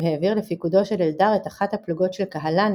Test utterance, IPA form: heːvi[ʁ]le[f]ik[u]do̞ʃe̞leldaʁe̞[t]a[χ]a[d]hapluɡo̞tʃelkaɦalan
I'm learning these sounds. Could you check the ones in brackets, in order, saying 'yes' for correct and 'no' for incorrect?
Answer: yes, yes, yes, yes, yes, no

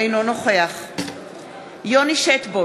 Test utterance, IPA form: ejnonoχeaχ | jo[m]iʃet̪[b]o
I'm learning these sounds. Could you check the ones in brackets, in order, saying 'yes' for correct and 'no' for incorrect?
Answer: no, yes

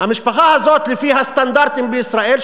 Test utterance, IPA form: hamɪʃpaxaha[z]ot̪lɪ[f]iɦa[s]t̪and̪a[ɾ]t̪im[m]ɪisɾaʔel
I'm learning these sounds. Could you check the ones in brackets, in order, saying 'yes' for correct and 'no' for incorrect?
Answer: yes, yes, yes, yes, no

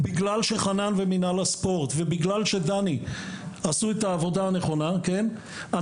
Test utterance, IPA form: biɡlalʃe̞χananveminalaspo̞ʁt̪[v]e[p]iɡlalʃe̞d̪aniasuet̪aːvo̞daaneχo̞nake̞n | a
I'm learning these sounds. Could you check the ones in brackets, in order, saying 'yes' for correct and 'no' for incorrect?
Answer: yes, no

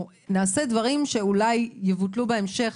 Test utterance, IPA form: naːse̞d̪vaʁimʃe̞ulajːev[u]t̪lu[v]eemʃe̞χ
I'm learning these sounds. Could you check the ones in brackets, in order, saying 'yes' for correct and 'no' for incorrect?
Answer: yes, no

